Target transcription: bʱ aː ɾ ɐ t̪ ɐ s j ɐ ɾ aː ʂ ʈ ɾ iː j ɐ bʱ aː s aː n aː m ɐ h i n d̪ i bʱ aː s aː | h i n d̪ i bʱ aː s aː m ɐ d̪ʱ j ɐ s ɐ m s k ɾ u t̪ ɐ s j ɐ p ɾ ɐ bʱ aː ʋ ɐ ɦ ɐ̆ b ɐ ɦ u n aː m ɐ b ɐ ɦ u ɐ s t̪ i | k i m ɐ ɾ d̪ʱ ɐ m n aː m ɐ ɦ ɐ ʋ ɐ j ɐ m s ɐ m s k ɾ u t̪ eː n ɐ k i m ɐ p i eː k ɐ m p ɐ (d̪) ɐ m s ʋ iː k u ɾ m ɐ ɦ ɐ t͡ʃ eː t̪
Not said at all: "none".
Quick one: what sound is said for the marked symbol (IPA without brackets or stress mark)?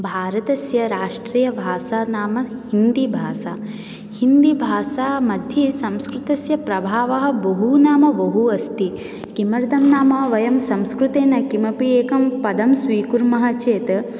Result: d̪